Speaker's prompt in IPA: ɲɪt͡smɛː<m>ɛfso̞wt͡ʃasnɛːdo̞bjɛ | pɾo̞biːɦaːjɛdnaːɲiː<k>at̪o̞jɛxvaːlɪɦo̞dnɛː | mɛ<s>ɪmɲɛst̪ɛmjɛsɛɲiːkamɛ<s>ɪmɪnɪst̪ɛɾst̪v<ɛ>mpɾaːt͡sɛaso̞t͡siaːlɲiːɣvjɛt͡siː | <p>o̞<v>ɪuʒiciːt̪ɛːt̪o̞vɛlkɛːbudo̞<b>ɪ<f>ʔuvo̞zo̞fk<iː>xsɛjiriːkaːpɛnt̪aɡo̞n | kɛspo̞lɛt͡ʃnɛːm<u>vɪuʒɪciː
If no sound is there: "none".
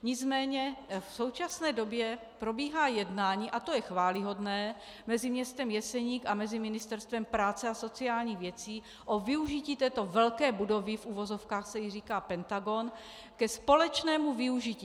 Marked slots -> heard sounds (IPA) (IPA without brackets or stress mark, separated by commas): ɲ, ʔ, z, z, ɛ, ʔ, v, v, f, aː, u